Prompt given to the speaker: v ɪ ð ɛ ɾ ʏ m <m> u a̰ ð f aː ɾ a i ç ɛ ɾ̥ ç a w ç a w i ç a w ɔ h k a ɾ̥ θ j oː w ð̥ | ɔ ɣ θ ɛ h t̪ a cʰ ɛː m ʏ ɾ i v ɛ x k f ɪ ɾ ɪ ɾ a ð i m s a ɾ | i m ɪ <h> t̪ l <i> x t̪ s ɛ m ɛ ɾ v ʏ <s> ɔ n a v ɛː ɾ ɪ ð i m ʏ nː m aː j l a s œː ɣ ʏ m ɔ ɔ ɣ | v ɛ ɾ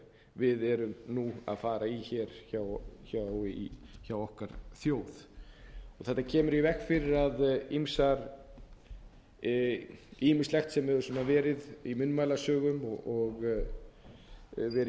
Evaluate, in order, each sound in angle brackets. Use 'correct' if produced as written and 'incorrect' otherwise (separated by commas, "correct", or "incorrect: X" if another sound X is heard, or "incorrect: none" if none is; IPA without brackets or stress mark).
incorrect: n, incorrect: s, incorrect: ɛ, correct